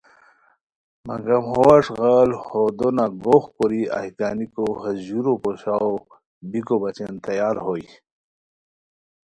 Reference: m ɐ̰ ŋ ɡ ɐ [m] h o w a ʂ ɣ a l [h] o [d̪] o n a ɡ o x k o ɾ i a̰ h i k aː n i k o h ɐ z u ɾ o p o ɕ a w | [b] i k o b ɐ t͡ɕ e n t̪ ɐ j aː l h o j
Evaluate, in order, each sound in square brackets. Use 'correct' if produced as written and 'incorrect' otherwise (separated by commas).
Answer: correct, correct, correct, correct